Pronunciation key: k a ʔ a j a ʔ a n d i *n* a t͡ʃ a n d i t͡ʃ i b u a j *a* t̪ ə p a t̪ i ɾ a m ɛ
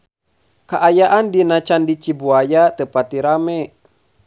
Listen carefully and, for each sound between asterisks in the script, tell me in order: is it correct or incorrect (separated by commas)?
correct, correct